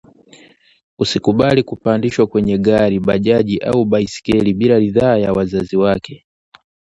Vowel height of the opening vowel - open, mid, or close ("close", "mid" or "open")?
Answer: close